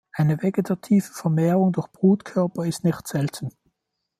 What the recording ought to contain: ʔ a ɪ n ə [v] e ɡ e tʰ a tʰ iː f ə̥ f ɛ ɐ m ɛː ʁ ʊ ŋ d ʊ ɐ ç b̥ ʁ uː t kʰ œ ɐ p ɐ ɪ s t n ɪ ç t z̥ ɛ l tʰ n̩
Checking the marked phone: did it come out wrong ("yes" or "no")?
no